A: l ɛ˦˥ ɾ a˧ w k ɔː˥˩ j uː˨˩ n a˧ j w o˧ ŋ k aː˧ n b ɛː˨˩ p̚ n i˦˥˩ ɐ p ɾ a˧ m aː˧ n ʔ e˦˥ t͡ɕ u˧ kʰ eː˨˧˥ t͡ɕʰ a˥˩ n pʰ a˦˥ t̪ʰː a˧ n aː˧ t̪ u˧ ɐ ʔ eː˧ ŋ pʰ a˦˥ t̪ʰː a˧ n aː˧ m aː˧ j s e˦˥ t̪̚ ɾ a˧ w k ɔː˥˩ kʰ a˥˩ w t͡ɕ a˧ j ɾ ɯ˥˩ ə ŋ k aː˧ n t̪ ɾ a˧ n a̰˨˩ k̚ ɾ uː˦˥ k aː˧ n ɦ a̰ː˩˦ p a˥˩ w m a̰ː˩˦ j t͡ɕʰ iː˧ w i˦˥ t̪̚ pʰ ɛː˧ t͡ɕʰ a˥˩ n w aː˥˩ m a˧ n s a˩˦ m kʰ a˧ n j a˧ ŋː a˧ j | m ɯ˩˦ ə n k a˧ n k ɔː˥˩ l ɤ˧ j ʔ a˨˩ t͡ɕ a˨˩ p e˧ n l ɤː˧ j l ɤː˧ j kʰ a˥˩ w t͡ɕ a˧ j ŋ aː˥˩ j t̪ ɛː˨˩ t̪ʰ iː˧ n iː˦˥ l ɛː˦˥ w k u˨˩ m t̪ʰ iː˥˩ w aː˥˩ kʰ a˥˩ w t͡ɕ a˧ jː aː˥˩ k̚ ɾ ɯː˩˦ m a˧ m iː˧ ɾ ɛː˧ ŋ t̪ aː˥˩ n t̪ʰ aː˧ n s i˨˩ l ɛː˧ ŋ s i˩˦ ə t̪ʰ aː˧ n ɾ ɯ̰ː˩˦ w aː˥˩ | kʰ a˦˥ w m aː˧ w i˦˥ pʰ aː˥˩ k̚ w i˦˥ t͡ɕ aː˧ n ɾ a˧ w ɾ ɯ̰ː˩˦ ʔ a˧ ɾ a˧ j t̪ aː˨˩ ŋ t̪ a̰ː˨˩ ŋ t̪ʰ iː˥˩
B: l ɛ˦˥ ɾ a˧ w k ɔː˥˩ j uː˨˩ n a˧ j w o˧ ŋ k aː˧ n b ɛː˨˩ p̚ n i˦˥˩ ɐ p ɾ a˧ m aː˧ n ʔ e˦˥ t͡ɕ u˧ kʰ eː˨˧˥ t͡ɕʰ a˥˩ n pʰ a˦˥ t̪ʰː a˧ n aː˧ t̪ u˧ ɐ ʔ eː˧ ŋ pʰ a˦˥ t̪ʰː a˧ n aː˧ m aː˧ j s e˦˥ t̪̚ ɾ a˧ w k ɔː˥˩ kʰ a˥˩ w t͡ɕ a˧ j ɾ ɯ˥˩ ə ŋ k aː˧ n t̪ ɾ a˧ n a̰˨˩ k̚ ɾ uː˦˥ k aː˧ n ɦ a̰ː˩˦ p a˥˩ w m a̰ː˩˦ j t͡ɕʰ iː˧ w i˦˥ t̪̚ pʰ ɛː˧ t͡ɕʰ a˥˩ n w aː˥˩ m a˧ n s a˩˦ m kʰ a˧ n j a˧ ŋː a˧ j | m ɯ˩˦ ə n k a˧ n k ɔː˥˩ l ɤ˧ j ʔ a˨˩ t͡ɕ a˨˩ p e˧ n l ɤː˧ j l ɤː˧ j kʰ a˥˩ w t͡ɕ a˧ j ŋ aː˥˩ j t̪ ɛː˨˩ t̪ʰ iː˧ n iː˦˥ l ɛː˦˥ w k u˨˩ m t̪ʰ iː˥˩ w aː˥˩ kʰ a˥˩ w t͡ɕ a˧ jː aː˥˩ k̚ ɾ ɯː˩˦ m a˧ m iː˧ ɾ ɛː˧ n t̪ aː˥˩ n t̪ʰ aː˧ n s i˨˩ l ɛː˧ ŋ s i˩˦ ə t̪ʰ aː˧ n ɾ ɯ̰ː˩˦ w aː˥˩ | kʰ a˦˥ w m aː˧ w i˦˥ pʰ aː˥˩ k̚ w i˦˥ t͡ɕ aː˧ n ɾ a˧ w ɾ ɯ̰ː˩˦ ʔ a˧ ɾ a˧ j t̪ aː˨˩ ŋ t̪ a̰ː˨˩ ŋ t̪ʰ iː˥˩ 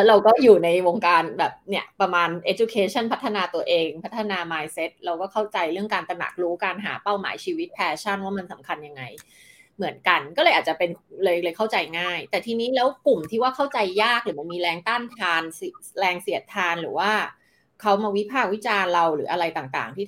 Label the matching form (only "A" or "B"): A